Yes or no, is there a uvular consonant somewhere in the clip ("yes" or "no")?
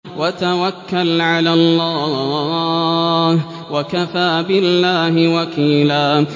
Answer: no